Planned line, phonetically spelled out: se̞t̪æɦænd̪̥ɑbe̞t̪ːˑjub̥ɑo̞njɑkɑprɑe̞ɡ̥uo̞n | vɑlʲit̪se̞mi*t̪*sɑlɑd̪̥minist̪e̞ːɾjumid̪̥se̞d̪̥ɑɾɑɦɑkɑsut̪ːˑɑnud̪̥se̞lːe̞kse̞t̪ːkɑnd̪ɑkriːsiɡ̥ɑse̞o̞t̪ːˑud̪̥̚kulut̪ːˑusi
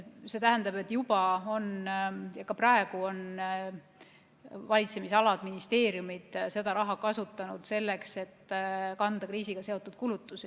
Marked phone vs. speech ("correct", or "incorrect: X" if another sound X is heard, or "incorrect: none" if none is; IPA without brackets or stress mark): incorrect: none